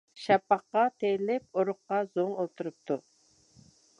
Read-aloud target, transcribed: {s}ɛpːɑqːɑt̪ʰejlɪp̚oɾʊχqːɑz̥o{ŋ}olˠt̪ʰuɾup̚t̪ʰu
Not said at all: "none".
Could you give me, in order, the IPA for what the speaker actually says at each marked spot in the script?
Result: ʃ, ŋ

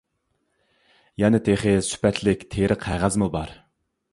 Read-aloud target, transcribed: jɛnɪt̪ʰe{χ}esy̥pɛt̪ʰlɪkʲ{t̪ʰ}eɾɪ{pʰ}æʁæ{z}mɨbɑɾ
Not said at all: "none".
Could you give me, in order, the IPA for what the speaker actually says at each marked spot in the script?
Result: χ, t̪ʰ, qʰ, z

